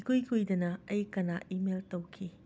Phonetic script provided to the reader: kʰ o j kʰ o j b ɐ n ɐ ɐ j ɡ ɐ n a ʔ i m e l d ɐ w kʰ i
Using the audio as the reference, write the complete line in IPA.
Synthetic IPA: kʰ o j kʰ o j d ɐ n ɐ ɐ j k ɐ n a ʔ i m e l t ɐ w kʰ i